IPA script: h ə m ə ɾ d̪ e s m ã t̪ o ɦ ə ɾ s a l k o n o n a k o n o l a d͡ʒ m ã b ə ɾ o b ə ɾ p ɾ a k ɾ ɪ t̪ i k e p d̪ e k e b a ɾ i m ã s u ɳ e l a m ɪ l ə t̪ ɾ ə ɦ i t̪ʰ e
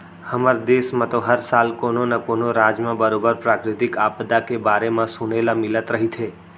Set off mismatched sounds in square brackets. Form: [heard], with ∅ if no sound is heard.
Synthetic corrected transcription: h ə m ə ɾ d̪ e s m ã t̪ o ɦ ə ɾ s a l k o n o n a k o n o [ɾ] a d͡ʒ m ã b ə ɾ o b ə ɾ p ɾ a k ɾ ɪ t̪ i k [a] p d̪ [a] k e b a ɾ [e] m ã s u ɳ e l a m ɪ l ə t̪ ɾ ə ɦ i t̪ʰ e